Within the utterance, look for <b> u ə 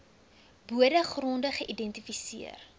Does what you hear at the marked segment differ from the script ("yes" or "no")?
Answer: no